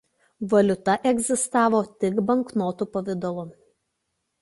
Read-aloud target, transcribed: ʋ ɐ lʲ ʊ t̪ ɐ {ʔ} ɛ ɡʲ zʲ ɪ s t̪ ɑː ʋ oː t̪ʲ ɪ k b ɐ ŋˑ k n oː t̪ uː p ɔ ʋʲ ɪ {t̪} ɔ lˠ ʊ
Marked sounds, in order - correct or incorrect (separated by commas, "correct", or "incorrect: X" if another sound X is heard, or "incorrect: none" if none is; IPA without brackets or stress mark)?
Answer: correct, incorrect: d̪